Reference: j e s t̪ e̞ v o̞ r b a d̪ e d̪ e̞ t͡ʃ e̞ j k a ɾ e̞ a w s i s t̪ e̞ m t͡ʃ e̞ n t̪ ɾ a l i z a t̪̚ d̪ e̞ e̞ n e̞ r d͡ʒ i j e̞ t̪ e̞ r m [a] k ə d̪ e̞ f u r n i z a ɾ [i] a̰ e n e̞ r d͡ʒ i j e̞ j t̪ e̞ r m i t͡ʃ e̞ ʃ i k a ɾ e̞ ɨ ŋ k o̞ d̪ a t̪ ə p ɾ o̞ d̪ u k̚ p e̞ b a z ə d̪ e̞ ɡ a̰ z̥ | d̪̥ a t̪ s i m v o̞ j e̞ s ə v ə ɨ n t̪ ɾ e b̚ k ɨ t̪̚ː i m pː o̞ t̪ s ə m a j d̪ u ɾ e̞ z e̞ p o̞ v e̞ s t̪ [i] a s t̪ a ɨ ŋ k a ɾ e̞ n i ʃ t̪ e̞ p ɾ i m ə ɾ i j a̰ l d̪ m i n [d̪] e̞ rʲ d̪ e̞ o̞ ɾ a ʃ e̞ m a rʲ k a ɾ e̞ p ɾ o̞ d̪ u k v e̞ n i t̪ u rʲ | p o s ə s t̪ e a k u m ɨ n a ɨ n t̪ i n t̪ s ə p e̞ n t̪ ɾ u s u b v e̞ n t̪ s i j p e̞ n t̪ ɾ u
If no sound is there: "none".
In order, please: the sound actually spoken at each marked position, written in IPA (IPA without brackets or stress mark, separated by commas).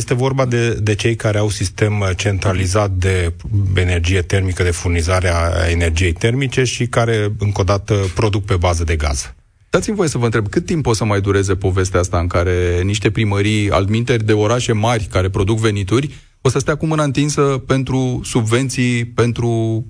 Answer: i, e, e, t̪